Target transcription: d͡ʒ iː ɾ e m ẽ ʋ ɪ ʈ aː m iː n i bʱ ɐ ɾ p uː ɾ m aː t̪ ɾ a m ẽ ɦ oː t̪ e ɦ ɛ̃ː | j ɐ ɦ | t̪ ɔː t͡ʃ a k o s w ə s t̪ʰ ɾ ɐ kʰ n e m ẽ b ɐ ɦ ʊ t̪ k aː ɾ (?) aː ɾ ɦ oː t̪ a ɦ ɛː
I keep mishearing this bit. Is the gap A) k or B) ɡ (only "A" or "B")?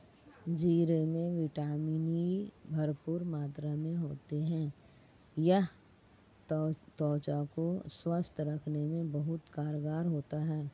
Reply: B